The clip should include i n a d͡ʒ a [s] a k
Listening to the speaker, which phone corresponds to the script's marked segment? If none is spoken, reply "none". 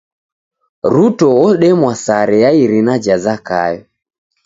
z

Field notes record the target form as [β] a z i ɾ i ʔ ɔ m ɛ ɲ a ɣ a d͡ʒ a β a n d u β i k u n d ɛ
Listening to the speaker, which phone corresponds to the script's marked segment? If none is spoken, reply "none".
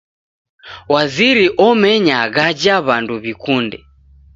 w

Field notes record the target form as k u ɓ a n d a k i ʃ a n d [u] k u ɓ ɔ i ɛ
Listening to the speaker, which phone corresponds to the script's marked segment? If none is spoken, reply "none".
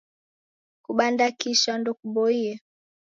ɔ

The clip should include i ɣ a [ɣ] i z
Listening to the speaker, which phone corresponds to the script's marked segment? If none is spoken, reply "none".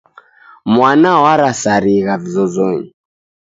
v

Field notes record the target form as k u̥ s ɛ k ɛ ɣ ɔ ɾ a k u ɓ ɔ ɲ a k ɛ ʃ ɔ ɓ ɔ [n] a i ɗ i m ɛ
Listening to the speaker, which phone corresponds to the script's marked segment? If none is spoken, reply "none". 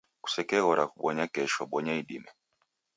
ɲ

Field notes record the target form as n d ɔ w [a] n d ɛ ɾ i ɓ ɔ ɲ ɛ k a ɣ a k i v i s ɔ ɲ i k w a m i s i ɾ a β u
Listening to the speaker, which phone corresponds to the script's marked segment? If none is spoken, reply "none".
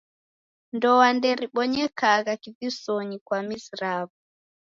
a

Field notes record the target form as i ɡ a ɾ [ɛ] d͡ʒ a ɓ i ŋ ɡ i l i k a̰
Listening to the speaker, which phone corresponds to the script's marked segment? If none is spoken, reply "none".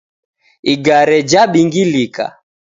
ɛ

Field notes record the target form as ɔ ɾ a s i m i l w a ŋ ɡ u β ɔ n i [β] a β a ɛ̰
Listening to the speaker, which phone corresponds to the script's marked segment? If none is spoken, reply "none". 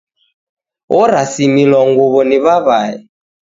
β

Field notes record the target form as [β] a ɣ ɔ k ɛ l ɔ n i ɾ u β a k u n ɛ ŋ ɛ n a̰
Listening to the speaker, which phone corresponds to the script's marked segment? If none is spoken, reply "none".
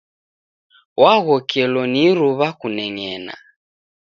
w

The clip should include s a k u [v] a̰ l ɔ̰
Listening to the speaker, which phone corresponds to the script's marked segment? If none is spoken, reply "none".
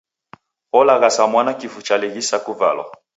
v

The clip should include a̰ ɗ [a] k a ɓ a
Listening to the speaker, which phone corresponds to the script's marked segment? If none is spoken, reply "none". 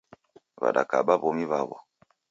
a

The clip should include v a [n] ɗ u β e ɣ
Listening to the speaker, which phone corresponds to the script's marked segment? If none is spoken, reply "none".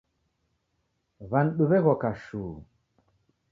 n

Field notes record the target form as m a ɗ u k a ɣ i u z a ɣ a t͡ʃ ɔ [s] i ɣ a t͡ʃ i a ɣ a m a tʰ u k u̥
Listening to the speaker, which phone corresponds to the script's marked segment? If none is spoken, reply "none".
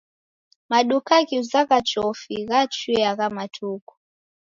f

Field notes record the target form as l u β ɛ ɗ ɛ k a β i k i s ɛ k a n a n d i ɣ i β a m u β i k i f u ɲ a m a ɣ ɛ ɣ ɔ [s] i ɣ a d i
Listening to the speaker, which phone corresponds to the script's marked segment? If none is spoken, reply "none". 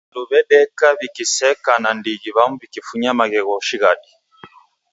ʃ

